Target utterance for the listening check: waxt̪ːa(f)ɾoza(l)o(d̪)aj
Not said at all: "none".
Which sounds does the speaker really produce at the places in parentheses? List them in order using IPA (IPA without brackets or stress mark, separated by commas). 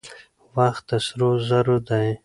s, ɾ, d̪